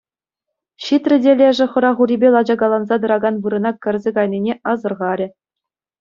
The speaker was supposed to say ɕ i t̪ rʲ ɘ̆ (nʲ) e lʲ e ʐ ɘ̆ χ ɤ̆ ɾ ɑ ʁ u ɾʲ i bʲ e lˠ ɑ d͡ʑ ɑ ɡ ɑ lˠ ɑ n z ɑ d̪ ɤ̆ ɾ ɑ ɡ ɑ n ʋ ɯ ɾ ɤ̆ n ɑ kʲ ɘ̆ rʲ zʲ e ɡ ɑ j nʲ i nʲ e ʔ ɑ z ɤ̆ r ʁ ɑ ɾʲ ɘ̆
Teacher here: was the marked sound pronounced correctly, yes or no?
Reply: no